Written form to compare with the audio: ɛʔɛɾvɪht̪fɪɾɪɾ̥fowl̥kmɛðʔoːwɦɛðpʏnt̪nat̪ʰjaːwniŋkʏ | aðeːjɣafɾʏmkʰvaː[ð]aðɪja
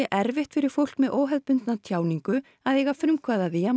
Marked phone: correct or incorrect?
correct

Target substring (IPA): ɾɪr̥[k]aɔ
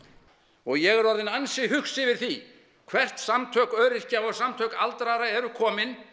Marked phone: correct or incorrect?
incorrect: c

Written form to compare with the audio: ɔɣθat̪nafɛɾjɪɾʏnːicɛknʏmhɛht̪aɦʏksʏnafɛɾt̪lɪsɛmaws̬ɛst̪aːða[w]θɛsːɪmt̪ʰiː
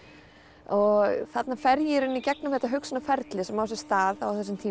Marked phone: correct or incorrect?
correct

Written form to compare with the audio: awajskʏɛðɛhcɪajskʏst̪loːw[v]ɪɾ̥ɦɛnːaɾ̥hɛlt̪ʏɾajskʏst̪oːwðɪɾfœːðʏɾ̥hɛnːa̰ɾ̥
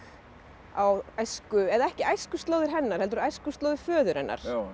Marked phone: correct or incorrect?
incorrect: ð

